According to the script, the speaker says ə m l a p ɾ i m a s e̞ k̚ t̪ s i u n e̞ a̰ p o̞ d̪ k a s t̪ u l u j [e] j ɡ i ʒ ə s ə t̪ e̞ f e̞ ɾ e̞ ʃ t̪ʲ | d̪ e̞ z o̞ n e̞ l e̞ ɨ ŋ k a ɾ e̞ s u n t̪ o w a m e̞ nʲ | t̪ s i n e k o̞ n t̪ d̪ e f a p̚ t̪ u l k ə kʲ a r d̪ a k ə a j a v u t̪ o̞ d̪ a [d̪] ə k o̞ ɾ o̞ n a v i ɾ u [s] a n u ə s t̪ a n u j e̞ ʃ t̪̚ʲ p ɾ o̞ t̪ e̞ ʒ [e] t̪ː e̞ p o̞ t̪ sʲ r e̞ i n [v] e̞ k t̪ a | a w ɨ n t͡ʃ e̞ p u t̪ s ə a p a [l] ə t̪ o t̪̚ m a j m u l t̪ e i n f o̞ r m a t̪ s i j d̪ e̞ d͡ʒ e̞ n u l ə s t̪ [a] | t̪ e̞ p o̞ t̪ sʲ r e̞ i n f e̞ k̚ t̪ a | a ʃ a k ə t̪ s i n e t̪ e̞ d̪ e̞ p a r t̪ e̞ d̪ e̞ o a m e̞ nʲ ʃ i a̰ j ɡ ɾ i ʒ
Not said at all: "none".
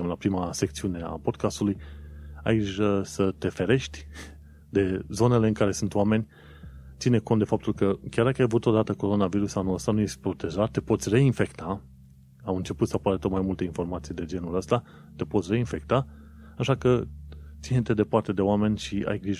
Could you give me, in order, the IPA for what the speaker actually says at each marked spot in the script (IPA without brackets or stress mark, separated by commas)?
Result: a, t̪, s, a, f, ɾ, a